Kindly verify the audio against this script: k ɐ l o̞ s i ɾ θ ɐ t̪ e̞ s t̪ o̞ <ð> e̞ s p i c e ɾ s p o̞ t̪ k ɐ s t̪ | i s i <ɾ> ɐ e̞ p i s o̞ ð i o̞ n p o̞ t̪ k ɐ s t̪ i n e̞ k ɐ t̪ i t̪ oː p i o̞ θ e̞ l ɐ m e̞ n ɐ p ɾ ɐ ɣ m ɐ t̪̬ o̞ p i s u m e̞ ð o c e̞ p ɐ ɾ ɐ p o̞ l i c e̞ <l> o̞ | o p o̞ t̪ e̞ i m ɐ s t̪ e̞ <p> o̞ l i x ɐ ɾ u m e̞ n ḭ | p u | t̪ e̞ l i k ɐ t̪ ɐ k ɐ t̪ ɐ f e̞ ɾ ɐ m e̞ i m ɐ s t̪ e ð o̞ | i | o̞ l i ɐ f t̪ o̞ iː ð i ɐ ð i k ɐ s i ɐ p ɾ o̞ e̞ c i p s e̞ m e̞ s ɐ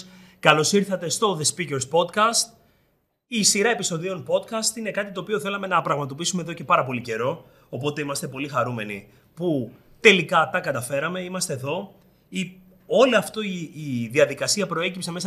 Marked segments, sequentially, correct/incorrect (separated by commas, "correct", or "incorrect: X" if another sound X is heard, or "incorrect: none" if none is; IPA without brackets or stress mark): correct, correct, incorrect: ɾ, correct